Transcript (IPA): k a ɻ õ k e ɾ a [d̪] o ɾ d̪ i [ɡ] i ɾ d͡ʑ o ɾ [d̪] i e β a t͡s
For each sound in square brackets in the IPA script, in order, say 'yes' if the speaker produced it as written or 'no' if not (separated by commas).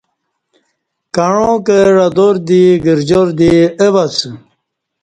yes, yes, yes